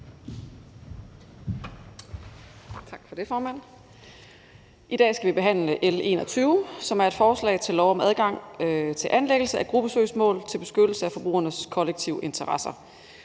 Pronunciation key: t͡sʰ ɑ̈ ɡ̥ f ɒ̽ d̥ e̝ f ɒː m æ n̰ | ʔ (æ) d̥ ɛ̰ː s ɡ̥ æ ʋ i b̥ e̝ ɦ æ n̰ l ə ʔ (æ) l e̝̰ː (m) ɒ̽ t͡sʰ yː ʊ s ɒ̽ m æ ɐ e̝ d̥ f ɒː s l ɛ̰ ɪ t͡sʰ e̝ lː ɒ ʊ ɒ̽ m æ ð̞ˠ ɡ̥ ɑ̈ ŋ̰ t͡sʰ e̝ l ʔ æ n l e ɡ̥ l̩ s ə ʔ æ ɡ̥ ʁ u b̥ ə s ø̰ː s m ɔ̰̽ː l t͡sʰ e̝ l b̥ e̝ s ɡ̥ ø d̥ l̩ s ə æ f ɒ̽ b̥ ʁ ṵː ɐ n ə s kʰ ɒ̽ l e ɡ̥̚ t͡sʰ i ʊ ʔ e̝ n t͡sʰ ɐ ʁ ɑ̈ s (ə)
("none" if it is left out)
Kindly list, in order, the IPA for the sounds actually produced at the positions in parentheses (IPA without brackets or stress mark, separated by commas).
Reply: i, e, n, ɐ